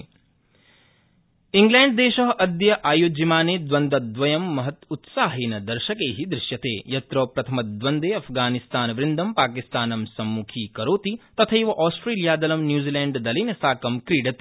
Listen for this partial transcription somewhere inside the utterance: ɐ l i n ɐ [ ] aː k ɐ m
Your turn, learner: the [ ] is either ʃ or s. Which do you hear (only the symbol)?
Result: s